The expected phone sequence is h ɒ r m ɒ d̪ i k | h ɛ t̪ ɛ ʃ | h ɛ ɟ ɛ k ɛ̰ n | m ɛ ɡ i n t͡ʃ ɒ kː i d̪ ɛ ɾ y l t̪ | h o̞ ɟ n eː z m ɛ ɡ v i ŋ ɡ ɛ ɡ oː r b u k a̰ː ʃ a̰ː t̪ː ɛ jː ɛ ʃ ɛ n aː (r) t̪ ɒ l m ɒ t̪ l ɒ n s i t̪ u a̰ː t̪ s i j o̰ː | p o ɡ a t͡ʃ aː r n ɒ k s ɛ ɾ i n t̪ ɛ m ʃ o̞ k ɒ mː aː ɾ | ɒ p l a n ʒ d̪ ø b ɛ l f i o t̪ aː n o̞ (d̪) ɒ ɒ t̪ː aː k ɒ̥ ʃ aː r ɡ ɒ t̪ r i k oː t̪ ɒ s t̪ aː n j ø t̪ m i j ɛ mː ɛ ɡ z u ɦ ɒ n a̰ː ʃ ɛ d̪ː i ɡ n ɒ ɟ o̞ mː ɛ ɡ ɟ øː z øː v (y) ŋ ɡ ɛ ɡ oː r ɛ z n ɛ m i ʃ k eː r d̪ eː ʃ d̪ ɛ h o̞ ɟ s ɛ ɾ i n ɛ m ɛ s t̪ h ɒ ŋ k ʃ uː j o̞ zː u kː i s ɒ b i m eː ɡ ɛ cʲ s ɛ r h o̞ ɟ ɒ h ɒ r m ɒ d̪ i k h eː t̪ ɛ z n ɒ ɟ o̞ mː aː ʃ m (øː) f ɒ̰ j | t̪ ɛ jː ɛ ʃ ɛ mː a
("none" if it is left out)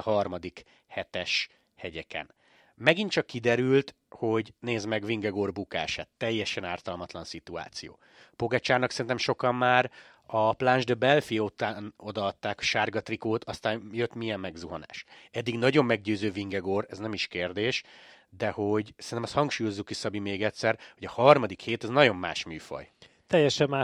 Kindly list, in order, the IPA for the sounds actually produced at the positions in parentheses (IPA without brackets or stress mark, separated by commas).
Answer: r, d̪, i, yː